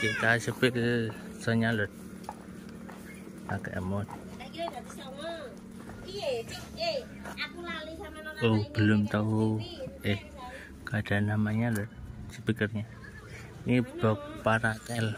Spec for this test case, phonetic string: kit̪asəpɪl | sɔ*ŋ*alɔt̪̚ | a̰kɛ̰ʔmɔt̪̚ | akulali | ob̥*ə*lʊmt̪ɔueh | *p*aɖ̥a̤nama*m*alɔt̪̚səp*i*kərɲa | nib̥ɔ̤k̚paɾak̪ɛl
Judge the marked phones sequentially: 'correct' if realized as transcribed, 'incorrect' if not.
incorrect, correct, incorrect, incorrect, correct

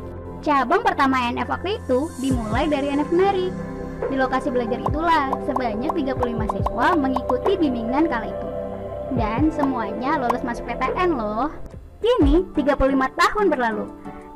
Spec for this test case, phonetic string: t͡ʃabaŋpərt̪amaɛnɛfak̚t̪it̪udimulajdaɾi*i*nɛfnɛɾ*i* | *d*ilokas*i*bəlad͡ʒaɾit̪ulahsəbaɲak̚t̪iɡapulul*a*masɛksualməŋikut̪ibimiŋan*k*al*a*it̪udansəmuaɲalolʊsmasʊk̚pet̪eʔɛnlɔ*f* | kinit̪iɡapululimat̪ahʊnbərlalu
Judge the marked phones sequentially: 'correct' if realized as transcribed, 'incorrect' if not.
incorrect, correct, correct, correct, incorrect, correct, correct, incorrect

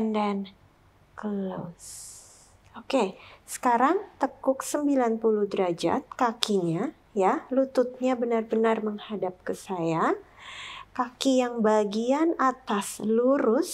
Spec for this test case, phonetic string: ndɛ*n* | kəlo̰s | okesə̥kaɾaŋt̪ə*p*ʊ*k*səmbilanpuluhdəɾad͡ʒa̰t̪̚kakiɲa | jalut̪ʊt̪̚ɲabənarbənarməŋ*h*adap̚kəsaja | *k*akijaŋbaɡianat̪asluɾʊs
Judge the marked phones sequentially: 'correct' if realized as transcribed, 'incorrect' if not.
correct, incorrect, correct, correct, correct

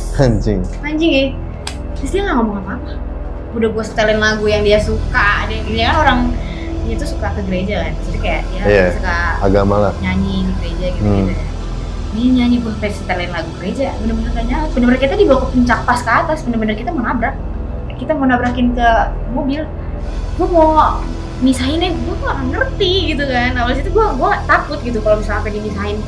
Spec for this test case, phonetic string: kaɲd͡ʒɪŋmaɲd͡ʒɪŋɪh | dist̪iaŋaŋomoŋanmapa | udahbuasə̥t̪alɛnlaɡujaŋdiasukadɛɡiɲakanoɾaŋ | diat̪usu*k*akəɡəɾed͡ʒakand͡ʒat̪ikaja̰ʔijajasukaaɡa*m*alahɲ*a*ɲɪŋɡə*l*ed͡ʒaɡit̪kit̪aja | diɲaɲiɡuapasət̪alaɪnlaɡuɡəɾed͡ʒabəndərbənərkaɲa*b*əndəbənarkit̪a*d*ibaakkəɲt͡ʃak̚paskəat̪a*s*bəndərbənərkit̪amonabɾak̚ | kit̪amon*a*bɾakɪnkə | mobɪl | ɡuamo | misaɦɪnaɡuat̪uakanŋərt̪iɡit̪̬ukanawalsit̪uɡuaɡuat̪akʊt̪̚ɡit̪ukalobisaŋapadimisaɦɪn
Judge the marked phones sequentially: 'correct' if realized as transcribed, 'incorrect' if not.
correct, correct, correct, incorrect, correct, correct, correct, correct

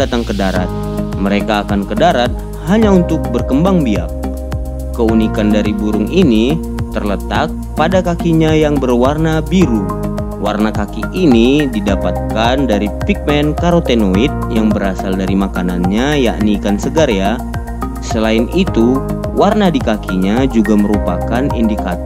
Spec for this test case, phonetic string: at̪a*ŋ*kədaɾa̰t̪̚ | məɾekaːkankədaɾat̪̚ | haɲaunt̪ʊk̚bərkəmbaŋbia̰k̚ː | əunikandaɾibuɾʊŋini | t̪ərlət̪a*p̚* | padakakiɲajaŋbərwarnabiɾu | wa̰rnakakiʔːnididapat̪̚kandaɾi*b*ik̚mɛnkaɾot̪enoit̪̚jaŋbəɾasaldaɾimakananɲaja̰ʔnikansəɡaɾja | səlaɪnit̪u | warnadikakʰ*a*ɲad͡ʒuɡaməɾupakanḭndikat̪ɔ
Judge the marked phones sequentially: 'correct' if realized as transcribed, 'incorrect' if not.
correct, incorrect, incorrect, incorrect

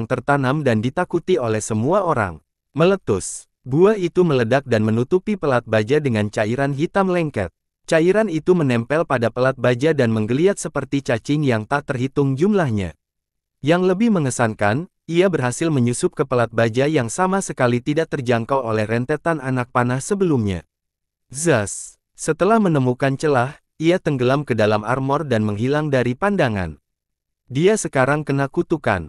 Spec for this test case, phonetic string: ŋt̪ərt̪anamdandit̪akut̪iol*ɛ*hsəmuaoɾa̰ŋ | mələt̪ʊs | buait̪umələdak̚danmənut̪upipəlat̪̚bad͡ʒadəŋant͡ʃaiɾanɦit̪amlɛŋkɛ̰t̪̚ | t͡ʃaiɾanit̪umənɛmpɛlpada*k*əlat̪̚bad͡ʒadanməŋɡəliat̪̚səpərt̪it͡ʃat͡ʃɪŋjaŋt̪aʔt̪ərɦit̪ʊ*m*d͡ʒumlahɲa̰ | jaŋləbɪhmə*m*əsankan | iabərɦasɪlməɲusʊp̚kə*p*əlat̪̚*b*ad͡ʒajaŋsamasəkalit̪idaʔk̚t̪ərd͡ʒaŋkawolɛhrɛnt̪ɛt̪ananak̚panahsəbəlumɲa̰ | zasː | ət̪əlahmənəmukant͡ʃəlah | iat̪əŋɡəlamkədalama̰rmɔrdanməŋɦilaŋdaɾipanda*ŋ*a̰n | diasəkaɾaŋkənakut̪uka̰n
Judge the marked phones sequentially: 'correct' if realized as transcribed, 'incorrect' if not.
correct, incorrect, incorrect, incorrect, correct, correct, correct

